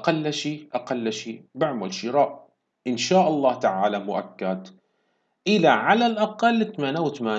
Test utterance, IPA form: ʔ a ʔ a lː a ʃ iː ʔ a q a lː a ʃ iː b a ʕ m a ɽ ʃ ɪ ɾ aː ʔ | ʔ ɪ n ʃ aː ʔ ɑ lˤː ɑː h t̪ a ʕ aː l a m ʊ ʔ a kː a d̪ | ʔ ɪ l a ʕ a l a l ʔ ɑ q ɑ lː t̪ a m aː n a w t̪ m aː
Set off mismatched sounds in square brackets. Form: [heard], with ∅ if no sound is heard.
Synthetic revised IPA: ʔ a [q] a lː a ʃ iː ʔ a q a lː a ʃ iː b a ʕ m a [l] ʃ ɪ ɾ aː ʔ | ʔ ɪ n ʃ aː ʔ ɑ lˤː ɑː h t̪ a ʕ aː l a m ʊ ʔ a kː a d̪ | ʔ ɪ l a ʕ a l a l ʔ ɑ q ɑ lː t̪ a m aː n a w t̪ m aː